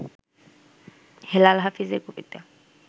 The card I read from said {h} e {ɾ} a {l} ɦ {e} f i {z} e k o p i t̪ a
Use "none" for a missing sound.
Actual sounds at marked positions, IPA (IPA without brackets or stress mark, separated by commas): h, l, l, a, z